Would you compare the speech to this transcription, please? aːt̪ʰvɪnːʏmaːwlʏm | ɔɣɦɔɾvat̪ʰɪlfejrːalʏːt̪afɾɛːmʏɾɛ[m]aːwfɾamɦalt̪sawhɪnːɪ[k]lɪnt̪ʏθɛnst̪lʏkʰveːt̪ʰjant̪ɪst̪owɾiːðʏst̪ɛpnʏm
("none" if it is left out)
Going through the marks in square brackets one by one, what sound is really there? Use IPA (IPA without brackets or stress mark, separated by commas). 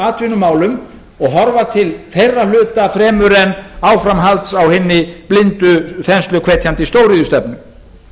n, p